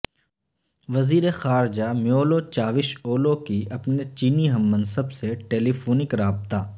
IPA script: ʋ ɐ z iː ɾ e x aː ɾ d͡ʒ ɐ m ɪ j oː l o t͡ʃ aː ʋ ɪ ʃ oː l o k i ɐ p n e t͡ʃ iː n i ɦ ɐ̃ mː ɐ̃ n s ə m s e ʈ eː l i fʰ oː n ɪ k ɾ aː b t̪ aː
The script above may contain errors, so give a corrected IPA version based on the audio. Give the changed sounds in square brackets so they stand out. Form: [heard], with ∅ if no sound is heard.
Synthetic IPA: ʋ ɐ z iː ɾ e x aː ɾ d͡ʒ [a] m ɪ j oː l o t͡ʃ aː ʋ ɪ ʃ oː l o k i ɐ p n e t͡ʃ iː n i ɦ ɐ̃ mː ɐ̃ n s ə [b] s e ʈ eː l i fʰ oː n ɪ k ɾ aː b t̪ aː